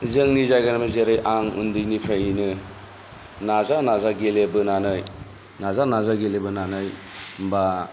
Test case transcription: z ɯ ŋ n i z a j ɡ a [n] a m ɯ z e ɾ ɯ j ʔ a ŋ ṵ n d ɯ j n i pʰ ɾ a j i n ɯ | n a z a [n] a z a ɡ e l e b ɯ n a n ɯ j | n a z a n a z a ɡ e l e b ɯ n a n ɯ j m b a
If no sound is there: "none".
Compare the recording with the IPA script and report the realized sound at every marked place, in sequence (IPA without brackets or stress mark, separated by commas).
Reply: n, n